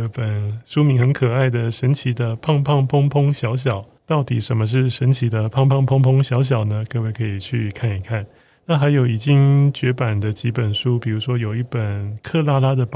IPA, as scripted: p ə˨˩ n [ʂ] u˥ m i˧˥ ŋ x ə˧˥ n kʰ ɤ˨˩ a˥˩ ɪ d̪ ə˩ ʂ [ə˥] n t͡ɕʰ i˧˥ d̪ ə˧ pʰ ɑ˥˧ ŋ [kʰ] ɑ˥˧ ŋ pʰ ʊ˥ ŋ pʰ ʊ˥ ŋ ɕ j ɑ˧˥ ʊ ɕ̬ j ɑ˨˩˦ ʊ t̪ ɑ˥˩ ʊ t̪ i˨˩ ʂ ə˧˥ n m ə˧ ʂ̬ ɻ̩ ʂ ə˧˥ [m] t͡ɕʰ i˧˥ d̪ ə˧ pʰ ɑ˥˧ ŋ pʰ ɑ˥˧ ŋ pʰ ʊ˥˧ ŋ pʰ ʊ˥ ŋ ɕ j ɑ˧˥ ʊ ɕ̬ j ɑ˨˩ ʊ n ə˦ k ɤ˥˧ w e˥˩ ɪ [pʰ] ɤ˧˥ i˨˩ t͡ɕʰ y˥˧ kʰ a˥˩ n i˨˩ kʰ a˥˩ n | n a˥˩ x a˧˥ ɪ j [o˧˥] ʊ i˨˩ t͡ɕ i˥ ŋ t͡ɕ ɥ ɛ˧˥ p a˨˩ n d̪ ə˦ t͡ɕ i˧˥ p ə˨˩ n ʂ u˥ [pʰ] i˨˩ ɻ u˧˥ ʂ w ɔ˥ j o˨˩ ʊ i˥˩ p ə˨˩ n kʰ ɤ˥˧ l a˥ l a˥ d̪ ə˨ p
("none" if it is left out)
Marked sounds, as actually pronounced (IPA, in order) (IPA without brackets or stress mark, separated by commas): ʂ, ə˧˥, pʰ, n, kʰ, o˨˩, p